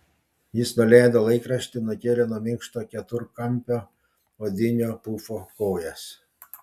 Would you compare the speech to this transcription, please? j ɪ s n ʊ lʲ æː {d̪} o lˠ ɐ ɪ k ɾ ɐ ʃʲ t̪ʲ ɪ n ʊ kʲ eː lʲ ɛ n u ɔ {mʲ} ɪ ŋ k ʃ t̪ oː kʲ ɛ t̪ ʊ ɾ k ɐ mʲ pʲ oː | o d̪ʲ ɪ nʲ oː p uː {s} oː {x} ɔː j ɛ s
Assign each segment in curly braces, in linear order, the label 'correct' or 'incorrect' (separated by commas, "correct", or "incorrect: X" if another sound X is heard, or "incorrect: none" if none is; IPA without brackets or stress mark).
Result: correct, correct, incorrect: f, incorrect: k